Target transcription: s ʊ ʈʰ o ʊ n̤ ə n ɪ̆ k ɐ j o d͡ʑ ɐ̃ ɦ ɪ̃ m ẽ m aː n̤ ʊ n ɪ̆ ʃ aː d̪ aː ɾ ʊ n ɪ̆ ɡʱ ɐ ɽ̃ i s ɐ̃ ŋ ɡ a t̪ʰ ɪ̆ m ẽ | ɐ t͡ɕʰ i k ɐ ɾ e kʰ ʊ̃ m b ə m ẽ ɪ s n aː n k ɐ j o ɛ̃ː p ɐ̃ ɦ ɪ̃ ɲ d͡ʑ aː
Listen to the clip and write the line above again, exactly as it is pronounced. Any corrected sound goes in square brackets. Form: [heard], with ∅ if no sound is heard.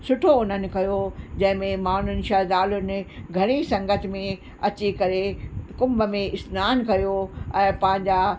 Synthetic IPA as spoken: s ʊ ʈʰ o ʊ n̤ ə n ɪ̆ k ɐ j o d͡ʑ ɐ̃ ɦ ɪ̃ m ẽ m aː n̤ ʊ n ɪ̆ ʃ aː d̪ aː [l] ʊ n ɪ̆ ɡʱ ɐ ɽ̃ i s ɐ̃ ŋ ɡ [ə] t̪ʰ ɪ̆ m ẽ | ɐ [t͡ɕ] i k ɐ ɾ e [k] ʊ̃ m b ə m ẽ ɪ s n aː n k ɐ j o ɛ̃ː p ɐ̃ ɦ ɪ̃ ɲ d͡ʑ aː